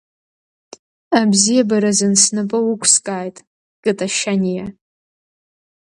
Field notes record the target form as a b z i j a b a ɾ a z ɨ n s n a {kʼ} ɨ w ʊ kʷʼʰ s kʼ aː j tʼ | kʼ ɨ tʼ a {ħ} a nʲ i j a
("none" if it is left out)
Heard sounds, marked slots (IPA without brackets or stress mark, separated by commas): pʼ, ʃ